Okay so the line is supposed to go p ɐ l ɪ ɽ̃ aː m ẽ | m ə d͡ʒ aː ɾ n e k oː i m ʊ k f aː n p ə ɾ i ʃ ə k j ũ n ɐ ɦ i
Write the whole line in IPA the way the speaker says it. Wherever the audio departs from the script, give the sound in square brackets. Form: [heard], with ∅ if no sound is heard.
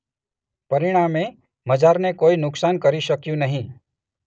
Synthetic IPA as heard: p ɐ [ɾ] ɪ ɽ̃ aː m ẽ | m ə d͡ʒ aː ɾ n e k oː i [n] ʊ k [s] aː n [k] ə ɾ i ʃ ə k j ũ n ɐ ɦ [ĩ]